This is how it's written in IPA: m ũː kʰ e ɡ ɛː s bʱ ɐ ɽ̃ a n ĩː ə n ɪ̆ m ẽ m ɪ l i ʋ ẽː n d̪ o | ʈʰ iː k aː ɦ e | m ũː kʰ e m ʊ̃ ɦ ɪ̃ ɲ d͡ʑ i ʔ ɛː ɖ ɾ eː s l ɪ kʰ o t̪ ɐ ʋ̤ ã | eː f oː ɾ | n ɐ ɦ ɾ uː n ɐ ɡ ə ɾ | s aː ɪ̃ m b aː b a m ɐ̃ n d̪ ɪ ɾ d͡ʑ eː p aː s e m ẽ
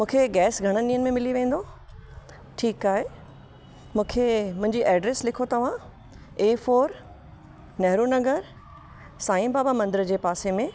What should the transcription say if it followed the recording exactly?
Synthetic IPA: m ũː kʰ e ɡ ɛː s ɡʱ ɐ ɽ̃ ə n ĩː ə n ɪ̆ m ẽ m ɪ l i ʋ ẽː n d̪ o | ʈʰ iː k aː ɦ e | m ũː kʰ e m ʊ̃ ɦ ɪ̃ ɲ d͡ʑ i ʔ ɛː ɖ ɾ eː s l ɪ kʰ o t̪ ɐ ʋ̤ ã | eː f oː ɾ | n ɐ ɦ ɾ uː n ɐ ɡ ə ɾ | s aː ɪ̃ m b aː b a m ɐ̃ n d̪ ɪ ɾ d͡ʑ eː p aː s e m ẽ